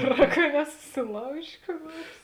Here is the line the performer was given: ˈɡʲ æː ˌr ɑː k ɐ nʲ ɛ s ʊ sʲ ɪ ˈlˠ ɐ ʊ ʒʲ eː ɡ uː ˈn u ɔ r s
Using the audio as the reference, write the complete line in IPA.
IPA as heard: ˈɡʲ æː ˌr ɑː k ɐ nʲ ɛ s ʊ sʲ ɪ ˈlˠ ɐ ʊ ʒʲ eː k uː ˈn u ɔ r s